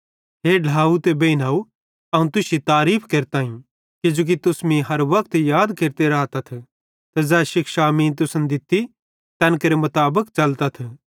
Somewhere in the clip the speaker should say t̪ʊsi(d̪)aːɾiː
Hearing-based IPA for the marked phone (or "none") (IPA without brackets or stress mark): t̪